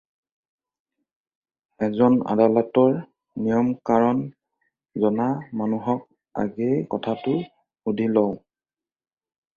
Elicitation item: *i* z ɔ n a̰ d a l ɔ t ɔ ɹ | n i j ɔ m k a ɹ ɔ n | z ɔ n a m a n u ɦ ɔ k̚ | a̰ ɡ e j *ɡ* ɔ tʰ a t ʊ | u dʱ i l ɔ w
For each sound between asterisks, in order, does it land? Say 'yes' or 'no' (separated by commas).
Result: no, no